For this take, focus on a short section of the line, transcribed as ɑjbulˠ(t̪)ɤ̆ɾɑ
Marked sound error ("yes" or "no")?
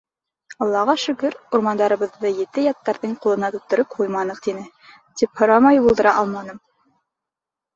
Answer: yes